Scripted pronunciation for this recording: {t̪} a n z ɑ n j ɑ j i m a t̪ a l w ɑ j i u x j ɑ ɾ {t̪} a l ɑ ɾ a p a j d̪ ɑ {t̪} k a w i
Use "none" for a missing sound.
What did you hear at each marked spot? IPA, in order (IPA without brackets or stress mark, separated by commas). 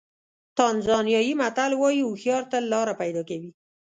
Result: t̪, t̪, none